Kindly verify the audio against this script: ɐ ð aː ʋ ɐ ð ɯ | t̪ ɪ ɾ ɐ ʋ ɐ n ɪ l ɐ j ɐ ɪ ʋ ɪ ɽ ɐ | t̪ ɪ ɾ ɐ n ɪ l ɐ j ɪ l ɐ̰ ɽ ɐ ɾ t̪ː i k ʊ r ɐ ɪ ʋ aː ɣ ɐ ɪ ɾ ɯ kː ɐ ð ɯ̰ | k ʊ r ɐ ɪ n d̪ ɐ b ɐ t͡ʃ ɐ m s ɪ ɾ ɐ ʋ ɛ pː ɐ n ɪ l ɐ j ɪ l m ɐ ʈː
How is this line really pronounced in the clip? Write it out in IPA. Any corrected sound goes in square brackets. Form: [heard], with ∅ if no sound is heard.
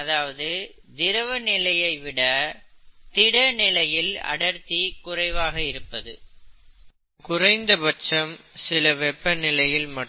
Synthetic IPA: ɐ ð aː ʋ ɐ ð ɯ | [d̪] ɪ ɾ ɐ ʋ ɐ n ɪ l ɐ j ɐ ɪ ʋ ɪ ɽ ɐ | t̪ ɪ [ɽ] ɐ n ɪ l ɐ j ɪ l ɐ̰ ɽ ɐ ɾ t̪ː i k ʊ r ɐ ɪ ʋ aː ɣ ɐ ɪ ɾ ɯ [pː] ɐ ð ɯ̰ | k ʊ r ɐ ɪ n d̪ ɐ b ɐ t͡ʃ ɐ m s ɪ [l] ɐ ʋ ɛ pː ɐ n ɪ l ɐ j ɪ l m ɐ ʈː